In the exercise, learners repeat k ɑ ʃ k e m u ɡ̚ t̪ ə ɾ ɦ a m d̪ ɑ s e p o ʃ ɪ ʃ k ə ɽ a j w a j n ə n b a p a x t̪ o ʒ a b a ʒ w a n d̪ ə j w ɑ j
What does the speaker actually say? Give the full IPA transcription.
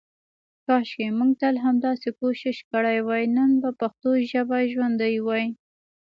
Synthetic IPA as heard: k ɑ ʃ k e m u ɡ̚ t̪ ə l ɦ a m d̪ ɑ s e k o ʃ ɪ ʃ k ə ɽ a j w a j n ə n b a p a x t̪ o ʒ a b a ʒ w a n d̪ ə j w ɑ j